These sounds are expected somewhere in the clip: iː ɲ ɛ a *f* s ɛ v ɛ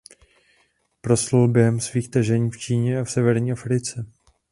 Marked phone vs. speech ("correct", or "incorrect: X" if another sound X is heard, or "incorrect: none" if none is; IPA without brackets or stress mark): correct